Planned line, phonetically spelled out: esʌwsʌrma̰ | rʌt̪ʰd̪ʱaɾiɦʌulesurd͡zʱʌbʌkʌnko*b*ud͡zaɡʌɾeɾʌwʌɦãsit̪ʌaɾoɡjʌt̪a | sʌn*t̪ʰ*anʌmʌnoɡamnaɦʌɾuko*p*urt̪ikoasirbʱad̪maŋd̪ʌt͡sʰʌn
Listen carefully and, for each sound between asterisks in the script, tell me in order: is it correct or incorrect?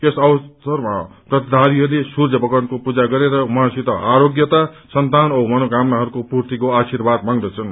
incorrect: p, incorrect: t̪, correct

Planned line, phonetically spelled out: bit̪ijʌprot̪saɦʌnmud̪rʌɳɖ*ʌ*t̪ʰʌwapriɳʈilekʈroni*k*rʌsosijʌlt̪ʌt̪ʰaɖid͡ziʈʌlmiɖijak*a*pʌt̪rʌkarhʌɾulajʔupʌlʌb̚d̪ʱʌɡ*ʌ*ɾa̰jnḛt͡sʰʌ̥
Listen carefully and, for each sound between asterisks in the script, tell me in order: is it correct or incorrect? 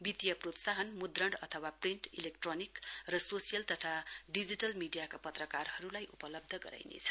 correct, correct, correct, correct

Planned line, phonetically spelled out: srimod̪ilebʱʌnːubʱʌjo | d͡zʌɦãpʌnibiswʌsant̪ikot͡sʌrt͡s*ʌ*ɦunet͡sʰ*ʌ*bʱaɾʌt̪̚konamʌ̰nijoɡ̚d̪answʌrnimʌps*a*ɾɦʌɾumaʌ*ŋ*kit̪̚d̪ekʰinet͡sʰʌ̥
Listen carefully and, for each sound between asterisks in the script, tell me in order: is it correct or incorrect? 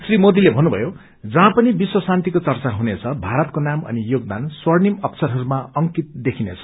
incorrect: a, correct, incorrect: ʌ, correct

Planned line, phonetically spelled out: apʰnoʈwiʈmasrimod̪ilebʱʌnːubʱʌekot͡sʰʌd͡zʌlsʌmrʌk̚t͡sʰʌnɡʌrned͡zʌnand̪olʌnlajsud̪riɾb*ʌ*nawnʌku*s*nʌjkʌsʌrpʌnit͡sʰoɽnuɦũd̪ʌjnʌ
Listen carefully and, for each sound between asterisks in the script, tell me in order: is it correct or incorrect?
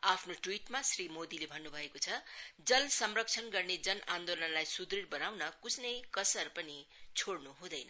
correct, correct

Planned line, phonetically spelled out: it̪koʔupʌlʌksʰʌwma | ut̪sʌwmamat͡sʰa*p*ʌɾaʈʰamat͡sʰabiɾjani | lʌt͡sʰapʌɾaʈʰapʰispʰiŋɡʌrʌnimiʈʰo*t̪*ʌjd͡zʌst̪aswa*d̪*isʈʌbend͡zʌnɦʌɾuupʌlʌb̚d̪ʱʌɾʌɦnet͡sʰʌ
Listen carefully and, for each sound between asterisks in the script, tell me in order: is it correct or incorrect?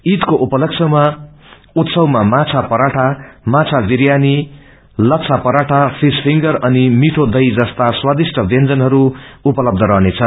correct, incorrect: d̪, correct

